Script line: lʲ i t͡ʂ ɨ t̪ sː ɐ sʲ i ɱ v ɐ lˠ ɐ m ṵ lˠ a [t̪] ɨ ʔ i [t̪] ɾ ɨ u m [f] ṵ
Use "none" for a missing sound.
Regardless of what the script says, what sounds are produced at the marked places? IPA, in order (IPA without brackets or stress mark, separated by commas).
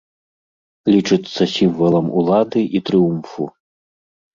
d̪, t̪, f